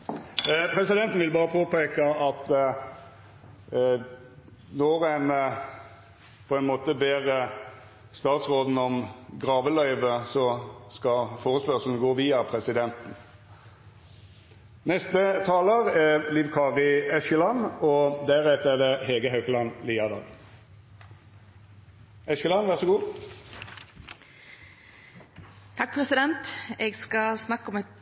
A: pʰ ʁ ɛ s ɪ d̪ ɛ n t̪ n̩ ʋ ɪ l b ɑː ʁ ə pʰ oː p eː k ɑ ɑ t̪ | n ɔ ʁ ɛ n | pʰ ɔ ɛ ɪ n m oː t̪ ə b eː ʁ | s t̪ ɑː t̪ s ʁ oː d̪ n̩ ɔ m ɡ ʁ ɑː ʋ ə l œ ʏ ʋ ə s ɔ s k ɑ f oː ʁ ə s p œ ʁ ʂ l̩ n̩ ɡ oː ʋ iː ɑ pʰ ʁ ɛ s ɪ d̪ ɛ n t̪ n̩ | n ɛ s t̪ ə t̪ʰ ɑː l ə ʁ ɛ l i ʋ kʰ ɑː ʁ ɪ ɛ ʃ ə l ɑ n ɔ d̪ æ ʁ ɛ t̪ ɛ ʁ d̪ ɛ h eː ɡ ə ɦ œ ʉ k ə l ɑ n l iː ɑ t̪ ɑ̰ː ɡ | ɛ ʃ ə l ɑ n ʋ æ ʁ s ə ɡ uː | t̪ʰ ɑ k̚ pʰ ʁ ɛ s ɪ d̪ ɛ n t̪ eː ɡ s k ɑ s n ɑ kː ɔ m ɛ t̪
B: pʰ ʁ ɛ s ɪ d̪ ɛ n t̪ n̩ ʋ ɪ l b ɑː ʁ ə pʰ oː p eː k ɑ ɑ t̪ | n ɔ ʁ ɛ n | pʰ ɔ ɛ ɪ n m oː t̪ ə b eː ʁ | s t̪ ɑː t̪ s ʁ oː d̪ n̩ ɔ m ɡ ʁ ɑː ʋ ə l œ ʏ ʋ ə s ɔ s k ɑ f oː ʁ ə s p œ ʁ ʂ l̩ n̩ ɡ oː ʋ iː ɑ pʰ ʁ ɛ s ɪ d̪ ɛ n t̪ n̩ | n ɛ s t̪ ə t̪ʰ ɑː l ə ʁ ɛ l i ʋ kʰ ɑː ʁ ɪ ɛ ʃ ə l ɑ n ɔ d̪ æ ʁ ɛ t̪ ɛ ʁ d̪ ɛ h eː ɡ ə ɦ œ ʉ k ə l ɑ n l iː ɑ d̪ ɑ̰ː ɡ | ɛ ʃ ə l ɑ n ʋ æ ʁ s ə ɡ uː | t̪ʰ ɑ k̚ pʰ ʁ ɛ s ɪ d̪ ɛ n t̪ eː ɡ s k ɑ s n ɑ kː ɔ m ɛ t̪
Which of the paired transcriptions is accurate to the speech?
B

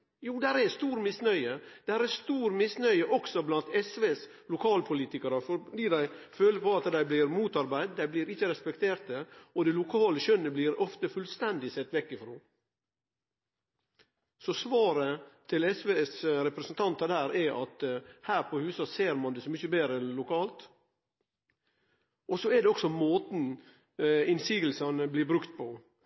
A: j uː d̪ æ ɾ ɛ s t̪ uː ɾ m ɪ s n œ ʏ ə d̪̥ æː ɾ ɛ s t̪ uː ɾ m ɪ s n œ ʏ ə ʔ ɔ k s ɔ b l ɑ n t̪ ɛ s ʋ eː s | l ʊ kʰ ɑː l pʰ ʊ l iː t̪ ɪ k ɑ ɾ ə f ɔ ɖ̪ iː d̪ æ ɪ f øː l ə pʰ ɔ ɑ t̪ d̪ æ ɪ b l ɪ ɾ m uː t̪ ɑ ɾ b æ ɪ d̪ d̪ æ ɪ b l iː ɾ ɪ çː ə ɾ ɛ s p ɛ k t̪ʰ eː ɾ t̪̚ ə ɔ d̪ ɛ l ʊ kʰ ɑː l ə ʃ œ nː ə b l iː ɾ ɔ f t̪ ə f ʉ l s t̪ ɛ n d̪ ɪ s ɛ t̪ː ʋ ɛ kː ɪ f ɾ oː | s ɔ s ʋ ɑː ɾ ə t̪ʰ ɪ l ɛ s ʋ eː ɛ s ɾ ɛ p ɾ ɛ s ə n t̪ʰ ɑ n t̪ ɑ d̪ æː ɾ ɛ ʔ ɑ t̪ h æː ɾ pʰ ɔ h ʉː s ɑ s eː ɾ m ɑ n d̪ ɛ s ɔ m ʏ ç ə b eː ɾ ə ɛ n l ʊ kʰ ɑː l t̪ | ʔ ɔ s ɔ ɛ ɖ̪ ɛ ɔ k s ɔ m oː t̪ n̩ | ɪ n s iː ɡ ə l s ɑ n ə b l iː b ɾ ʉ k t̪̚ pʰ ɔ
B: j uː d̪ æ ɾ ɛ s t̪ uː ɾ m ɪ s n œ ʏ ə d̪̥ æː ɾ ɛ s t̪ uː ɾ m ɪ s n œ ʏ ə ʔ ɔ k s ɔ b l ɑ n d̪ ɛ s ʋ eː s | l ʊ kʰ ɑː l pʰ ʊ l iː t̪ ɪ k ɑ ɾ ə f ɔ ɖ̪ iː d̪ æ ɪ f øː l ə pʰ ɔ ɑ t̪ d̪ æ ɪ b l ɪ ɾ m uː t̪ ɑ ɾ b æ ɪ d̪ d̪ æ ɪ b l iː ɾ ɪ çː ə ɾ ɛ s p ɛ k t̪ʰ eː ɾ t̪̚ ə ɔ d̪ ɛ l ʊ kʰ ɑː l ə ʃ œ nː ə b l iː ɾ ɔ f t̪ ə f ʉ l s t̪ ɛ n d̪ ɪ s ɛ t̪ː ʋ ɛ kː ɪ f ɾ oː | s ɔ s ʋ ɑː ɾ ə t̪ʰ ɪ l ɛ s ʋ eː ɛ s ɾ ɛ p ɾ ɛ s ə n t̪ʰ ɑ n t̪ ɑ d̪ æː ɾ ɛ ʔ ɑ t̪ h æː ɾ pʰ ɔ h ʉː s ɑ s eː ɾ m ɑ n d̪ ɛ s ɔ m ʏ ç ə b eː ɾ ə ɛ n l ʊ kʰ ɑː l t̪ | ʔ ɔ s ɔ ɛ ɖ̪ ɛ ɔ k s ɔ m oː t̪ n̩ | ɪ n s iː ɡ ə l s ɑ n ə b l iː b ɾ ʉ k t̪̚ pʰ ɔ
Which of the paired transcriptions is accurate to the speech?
A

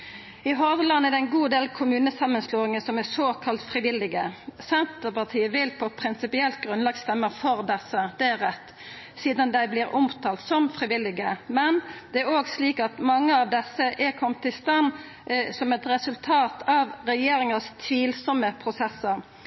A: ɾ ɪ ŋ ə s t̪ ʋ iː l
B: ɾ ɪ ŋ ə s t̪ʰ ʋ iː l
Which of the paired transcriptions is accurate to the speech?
B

